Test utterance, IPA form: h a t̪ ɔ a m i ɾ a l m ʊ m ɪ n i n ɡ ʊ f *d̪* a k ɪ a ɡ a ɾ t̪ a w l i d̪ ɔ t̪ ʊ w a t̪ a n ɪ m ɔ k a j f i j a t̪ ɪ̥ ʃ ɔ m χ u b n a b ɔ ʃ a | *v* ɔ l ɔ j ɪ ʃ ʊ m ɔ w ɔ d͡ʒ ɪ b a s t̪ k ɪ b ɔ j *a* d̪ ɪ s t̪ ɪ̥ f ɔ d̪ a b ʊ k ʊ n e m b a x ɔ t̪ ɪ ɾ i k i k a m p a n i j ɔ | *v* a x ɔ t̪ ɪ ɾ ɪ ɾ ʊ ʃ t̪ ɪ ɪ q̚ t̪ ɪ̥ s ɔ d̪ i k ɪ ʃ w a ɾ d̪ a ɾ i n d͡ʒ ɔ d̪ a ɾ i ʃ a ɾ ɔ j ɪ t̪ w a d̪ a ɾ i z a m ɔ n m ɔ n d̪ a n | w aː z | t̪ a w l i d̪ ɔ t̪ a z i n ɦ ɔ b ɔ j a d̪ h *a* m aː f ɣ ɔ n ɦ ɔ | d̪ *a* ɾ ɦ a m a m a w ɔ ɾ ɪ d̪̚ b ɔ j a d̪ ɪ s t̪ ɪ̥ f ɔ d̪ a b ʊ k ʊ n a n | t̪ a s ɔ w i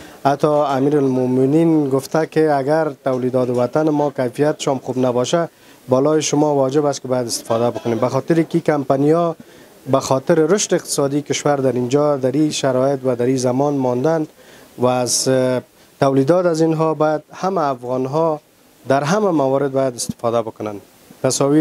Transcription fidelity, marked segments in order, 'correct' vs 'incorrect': incorrect: t̪, incorrect: b, correct, incorrect: b, correct, correct

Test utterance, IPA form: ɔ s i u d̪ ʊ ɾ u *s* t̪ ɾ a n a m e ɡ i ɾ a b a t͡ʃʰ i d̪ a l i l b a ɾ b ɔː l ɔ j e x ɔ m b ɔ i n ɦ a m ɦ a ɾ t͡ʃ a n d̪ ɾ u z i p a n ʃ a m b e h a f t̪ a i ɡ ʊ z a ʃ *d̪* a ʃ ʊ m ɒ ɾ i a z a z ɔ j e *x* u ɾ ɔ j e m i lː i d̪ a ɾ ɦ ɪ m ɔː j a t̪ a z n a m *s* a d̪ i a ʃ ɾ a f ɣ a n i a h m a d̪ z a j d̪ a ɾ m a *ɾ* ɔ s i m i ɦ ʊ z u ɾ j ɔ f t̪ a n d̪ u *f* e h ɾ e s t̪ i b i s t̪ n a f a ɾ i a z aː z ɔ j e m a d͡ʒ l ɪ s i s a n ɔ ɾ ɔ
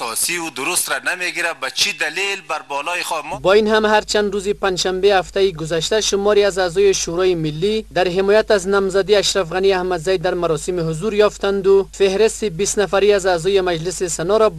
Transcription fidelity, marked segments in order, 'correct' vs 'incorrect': correct, incorrect: t̪, incorrect: ʃ, incorrect: z, correct, correct

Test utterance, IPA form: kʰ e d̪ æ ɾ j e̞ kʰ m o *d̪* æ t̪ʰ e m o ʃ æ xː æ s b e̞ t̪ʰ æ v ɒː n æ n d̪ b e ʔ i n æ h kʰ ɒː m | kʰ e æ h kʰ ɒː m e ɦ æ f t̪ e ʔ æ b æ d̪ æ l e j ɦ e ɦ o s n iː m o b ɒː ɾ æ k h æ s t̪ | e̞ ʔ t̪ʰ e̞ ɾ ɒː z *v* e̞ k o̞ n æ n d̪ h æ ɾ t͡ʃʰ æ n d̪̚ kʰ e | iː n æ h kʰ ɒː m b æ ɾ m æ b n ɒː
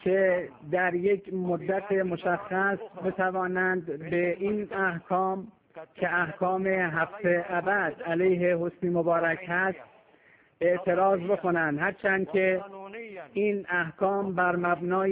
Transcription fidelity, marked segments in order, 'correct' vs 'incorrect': incorrect: d̪ː, incorrect: b

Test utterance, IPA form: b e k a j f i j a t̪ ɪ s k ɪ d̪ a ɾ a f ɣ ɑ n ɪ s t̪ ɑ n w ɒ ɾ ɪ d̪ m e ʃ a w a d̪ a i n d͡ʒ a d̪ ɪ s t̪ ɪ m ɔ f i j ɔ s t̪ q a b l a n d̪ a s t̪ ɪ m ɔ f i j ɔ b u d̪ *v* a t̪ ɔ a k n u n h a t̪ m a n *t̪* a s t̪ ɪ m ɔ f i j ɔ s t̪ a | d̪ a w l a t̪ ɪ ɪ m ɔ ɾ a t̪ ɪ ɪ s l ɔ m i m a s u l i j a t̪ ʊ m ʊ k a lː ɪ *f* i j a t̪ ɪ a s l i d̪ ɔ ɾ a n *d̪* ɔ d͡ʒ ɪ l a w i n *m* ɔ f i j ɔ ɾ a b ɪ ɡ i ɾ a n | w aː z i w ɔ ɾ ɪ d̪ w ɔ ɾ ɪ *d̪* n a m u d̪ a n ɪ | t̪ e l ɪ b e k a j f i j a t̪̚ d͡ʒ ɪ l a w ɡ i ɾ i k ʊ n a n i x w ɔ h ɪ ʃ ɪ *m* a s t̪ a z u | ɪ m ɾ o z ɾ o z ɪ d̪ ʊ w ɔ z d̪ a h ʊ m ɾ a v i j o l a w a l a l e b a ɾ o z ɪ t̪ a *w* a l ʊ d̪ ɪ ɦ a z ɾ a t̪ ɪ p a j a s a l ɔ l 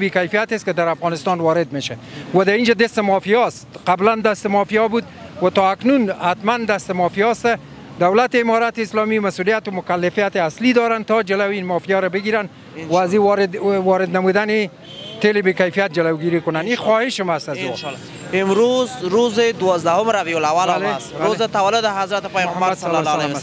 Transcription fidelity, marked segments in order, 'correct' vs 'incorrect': incorrect: w, incorrect: d̪, correct, incorrect: t̪, correct, correct, correct, correct

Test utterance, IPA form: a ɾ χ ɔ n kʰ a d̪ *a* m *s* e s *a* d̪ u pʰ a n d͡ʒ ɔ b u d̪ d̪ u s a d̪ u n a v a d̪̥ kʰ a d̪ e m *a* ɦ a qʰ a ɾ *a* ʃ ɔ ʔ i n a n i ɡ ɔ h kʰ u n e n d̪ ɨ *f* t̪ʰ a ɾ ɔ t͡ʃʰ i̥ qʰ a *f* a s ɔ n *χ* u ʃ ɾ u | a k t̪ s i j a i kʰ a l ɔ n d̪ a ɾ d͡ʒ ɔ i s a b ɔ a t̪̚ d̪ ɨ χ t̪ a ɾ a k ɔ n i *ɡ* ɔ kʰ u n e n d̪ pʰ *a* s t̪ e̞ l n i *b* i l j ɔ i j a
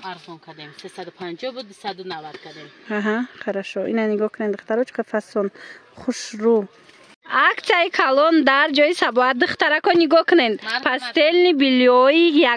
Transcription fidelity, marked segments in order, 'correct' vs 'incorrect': incorrect: e, correct, correct, correct, correct, incorrect: χ, correct, correct, correct, correct, correct

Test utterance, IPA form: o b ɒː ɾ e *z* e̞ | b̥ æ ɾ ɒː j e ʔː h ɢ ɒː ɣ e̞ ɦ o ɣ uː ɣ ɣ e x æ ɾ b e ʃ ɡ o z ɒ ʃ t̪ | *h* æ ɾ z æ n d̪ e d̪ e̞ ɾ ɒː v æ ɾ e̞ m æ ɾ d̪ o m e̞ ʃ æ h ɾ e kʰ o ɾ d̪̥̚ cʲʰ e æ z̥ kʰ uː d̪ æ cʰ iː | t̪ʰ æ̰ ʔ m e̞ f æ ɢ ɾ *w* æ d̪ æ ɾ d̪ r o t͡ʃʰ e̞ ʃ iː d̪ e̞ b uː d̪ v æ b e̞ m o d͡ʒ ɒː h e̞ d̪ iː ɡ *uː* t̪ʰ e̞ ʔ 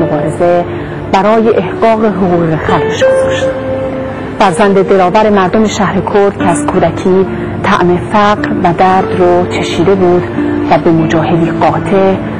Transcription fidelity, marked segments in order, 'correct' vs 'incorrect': correct, incorrect: f, incorrect: v, incorrect: ɒː

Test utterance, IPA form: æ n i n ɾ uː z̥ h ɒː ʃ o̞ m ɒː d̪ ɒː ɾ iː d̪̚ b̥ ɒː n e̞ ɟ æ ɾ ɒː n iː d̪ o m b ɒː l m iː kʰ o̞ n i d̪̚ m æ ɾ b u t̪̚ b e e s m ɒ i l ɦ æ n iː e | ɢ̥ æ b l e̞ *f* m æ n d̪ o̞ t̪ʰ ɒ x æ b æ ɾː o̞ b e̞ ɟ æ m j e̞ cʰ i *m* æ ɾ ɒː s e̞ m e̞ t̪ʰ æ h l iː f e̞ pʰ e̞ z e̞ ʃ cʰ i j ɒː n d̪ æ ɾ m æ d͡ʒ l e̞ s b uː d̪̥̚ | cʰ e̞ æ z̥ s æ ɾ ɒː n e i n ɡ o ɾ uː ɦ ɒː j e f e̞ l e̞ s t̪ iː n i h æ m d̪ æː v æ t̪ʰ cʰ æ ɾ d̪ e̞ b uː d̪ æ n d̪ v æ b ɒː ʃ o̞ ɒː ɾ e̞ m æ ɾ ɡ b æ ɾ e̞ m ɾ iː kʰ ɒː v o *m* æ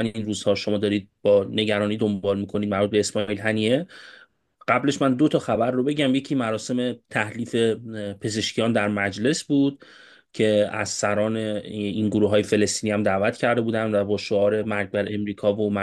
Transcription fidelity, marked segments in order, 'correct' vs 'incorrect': incorrect: ʃ, correct, correct

